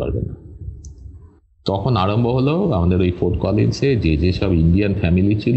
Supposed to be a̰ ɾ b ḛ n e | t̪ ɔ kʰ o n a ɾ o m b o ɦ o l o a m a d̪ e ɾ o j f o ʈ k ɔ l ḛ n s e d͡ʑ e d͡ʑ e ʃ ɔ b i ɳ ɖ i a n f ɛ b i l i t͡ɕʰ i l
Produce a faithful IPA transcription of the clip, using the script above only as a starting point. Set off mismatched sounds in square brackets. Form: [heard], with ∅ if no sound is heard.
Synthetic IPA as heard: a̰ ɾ b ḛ n [a] | t̪ ɔ kʰ o n a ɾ o m b o ɦ o l o a m a d̪ e ɾ o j f o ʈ k ɔ l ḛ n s e d͡ʑ e d͡ʑ e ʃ ɔ b i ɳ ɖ i a n f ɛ [m] i l i t͡ɕʰ i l